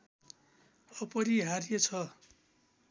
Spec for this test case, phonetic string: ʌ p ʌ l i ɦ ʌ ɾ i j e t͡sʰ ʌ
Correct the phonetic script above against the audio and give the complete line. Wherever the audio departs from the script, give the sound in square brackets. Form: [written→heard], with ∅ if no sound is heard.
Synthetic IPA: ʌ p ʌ [l→ɾ] i ɦ [ʌ→a] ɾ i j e t͡sʰ ʌ